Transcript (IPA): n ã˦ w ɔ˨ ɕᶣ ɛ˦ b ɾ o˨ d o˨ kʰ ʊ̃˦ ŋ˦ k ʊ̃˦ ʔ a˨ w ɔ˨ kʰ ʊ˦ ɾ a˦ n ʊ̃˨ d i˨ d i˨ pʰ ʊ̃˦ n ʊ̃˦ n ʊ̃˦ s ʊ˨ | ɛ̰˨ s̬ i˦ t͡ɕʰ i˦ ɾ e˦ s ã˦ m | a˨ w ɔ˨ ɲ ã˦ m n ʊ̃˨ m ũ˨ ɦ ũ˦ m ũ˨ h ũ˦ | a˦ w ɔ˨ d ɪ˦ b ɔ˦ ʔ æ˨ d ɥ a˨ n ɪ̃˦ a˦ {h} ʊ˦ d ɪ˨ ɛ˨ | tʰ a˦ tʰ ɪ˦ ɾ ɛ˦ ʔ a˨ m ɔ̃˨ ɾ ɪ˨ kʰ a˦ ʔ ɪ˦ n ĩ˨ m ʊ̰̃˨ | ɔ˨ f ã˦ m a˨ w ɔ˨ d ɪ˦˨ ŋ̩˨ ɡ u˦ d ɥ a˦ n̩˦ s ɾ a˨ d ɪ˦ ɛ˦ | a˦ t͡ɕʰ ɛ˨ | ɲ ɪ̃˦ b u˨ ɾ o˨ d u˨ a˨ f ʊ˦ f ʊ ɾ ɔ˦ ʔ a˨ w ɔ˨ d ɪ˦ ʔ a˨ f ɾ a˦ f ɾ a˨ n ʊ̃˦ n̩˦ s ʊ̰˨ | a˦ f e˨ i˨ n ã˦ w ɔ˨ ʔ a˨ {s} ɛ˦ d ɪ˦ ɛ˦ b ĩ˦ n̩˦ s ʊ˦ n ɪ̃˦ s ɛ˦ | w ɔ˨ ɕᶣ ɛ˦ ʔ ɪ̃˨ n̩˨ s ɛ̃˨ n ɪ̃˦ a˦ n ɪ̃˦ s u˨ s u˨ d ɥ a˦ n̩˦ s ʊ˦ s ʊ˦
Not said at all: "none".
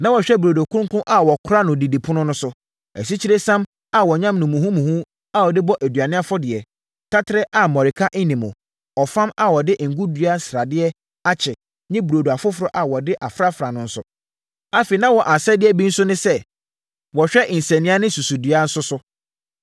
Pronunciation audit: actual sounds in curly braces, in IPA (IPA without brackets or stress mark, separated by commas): f, s